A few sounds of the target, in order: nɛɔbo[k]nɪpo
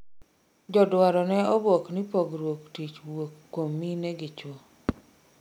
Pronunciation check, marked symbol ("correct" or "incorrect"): correct